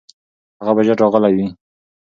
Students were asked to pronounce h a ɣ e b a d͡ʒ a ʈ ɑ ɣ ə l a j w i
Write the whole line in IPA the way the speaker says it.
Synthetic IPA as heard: h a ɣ a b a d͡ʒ a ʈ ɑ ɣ ə l a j w i